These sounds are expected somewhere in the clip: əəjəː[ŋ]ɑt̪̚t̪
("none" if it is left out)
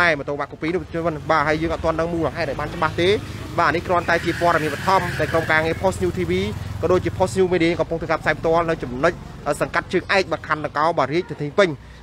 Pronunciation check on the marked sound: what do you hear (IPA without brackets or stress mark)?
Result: ŋ